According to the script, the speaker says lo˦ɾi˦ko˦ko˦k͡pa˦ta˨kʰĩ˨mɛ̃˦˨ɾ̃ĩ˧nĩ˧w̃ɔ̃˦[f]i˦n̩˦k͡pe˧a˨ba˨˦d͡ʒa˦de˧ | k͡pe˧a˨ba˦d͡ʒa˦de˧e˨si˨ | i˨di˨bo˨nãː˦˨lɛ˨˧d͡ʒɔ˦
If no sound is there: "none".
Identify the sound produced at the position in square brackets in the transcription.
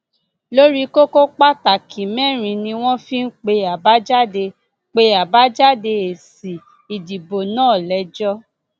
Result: f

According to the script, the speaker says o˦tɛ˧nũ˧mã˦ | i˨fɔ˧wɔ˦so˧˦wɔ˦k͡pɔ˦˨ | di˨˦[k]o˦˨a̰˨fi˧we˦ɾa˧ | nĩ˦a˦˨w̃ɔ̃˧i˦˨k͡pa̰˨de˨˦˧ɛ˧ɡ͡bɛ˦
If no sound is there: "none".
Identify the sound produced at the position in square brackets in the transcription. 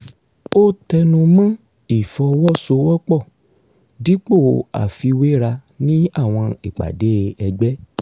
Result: k͡p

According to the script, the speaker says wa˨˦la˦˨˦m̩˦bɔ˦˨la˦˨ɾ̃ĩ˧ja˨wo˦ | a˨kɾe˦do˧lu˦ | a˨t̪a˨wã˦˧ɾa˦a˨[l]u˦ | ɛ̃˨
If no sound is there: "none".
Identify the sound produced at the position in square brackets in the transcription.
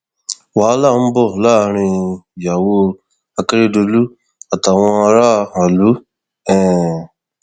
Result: l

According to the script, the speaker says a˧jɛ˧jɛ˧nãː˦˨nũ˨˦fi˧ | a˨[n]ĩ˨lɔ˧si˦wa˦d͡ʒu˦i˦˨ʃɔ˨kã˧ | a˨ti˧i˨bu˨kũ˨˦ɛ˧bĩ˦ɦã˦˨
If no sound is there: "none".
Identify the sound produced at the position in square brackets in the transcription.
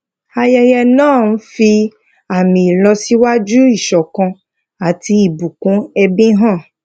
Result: m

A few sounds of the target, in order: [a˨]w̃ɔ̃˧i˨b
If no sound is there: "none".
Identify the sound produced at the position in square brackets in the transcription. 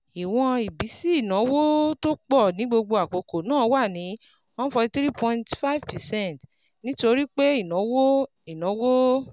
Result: i˨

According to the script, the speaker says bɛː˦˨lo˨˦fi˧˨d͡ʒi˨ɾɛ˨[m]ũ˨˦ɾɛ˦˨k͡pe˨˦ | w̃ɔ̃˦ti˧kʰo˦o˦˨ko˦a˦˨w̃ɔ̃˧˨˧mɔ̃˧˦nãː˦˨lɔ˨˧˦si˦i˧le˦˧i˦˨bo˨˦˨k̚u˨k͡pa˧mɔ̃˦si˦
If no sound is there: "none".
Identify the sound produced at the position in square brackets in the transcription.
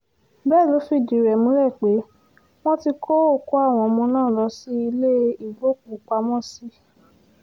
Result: m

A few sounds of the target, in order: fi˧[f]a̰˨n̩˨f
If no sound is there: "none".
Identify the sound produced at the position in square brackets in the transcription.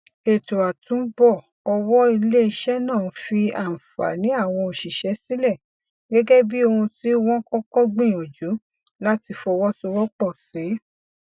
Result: none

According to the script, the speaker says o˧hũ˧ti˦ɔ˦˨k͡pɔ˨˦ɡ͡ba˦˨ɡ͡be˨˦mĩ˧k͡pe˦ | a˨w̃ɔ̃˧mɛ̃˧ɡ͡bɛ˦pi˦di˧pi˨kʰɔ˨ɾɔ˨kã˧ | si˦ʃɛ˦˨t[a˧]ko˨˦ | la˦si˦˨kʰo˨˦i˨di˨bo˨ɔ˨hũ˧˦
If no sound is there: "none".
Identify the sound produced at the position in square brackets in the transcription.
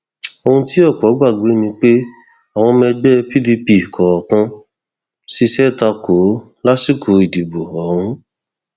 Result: a˧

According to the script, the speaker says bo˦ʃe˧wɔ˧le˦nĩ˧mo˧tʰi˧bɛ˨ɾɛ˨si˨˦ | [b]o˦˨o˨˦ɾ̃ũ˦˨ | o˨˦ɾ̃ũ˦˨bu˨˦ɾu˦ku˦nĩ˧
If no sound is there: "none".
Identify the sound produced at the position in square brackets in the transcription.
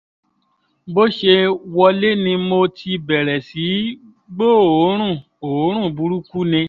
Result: ɡ͡b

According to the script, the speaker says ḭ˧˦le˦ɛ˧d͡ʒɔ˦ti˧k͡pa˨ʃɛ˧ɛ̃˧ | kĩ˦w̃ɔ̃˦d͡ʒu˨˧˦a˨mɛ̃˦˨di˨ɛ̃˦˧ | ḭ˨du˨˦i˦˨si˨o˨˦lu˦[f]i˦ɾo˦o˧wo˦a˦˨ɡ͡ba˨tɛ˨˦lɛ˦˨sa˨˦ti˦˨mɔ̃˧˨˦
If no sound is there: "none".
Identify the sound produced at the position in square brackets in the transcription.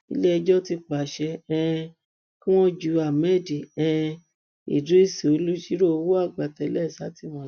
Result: ʃ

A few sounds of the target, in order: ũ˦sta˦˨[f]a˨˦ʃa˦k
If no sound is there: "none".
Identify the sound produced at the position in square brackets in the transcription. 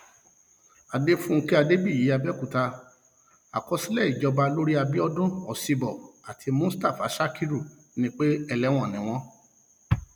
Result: f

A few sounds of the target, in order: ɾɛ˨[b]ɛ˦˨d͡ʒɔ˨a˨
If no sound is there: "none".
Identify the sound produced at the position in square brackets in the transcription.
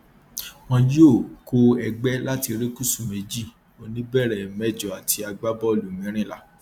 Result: m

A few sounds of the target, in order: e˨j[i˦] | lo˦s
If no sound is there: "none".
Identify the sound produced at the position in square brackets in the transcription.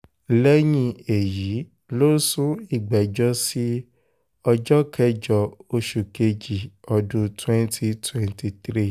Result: i˨˦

